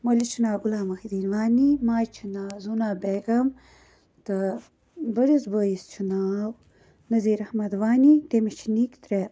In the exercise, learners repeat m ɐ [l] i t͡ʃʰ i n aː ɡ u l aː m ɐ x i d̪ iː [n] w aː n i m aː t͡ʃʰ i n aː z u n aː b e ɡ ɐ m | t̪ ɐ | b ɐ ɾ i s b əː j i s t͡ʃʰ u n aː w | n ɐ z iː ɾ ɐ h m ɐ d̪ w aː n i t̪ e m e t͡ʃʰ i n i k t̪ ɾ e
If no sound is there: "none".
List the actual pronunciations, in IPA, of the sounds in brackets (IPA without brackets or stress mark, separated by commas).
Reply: l, n